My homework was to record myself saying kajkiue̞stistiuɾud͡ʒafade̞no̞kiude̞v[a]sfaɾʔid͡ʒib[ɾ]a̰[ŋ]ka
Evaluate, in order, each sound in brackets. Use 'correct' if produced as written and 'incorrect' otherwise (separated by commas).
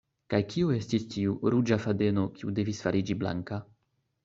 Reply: incorrect, incorrect, correct